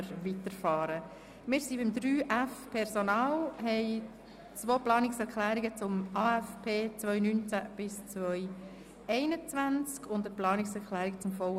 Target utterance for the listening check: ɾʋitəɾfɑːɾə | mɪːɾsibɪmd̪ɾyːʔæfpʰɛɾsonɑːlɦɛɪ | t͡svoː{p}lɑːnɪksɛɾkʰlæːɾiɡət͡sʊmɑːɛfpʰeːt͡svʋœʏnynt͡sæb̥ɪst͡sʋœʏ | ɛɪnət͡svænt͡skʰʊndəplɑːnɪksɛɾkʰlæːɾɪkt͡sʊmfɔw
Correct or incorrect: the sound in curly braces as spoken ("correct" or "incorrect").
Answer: correct